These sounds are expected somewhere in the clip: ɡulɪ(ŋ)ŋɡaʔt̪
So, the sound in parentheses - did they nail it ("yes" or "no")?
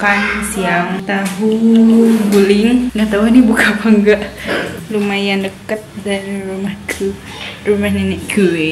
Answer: yes